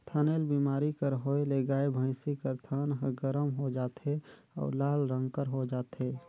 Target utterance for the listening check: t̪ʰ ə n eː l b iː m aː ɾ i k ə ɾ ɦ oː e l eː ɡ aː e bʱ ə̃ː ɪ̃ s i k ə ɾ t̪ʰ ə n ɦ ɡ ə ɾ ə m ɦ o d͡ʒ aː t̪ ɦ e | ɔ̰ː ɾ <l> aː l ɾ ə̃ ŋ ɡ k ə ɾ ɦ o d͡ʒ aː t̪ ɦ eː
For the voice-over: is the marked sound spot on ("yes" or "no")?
yes